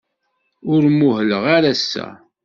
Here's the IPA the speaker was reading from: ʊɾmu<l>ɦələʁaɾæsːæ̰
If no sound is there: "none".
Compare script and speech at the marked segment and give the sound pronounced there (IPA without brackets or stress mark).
none